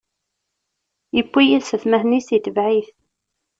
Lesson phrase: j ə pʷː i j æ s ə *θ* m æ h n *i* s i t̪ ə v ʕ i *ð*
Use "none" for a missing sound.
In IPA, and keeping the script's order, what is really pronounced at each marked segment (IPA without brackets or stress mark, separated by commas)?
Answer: θ, i, θ